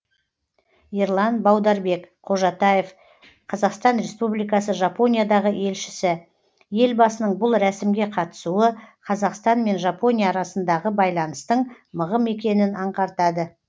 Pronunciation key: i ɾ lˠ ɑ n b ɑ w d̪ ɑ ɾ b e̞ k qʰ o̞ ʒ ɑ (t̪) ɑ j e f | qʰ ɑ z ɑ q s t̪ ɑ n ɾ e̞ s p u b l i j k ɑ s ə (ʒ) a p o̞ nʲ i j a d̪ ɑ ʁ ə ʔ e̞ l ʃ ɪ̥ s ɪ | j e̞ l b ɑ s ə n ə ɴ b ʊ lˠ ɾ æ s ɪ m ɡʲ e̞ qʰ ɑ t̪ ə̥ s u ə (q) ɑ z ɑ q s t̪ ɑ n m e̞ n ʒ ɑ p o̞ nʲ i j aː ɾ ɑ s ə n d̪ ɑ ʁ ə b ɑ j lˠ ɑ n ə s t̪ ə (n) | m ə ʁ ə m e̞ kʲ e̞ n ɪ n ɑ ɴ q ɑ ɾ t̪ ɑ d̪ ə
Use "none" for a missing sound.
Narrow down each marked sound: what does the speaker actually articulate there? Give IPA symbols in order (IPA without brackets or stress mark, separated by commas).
t̪, ʒ, qʰ, ɴ